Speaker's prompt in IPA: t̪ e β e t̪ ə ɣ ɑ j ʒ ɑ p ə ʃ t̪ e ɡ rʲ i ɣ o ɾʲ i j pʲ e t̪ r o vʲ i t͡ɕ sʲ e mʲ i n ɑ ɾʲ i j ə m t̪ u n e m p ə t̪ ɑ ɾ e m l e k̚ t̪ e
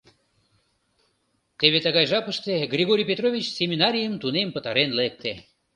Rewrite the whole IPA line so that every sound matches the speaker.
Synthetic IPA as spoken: t̪ e β e t̪ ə ɣ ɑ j ʒ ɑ p ə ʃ t̪ e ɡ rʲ i ɣ o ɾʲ i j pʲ e t̪ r o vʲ i t͡ɕ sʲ e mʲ i n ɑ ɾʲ i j ə m t̪ u n e m p ə t̪ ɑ ɾ e n l e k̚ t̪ e